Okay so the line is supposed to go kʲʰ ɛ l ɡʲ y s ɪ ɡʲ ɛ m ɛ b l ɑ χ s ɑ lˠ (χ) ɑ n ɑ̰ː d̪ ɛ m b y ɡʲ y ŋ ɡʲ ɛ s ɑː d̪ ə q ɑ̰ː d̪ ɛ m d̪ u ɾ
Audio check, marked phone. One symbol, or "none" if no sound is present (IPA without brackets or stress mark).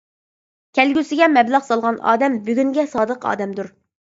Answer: ʁ